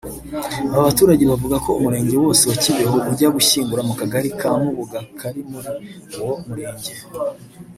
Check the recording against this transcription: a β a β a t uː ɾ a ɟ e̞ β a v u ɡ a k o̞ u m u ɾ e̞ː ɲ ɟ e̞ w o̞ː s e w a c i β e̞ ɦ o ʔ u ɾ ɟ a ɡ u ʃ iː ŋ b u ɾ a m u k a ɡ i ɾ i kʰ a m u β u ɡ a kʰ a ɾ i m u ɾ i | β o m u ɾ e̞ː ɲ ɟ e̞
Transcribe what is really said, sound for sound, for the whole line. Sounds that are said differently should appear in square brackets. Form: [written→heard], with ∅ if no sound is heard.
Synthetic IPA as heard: a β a β a t uː ɾ a ɟ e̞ β a v u ɡ a k o̞ u m u ɾ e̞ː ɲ ɟ e̞ w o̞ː s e w a c i β e̞ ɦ o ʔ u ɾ ɟ a ɡ u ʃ iː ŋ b u ɾ a m u k a ɡ [i→a] ɾ i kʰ a m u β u ɡ a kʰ a ɾ i m u ɾ i | [β→w] o m u ɾ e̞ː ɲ ɟ e̞